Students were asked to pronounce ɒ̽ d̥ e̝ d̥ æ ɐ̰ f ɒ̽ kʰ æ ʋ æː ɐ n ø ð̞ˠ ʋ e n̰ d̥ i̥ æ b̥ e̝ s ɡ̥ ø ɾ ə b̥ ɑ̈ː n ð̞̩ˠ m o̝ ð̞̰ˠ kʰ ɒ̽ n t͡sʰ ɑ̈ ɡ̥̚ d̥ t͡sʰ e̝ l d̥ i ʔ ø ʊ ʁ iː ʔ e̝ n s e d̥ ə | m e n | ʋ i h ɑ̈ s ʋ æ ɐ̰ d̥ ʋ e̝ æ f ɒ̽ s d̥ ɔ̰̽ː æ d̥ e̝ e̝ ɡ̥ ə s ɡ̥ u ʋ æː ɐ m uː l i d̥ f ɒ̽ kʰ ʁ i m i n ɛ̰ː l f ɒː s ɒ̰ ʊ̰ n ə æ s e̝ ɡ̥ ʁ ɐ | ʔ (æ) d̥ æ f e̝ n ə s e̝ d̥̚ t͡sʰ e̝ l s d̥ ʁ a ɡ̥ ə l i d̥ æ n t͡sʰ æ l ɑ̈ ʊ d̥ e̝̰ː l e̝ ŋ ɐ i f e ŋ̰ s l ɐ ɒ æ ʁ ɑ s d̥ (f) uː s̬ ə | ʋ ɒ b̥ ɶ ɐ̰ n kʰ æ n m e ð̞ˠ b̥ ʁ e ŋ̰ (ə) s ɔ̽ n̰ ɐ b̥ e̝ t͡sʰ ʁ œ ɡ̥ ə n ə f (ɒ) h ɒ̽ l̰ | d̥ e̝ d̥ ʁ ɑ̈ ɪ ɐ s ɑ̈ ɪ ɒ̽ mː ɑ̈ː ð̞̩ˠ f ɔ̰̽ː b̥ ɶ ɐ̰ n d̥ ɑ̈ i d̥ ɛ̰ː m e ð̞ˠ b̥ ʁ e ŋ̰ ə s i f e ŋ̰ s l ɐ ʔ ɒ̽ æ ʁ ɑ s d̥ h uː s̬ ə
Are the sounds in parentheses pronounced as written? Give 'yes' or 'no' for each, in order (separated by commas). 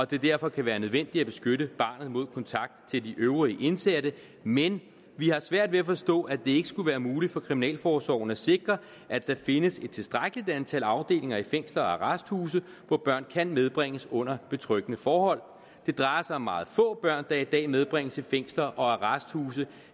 yes, no, yes, no